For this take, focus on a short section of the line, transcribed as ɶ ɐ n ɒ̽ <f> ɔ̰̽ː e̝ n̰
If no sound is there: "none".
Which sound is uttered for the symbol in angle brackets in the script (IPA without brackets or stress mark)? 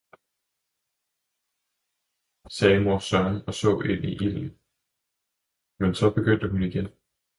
s